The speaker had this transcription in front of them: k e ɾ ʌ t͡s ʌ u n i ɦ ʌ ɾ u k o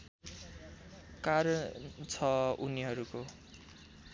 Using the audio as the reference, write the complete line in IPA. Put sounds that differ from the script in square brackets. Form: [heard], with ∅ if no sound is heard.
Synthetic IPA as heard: k [a] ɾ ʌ [t͡sʰ] ʌ u n i ɦ ʌ ɾ u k o